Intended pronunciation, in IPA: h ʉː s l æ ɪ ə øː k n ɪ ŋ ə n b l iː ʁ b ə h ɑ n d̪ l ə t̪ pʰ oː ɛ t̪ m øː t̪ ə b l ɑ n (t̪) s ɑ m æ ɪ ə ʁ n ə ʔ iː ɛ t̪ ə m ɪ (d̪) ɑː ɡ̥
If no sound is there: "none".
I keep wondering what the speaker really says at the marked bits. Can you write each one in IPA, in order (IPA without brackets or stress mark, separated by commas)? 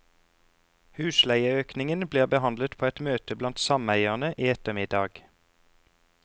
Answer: t̪, d̪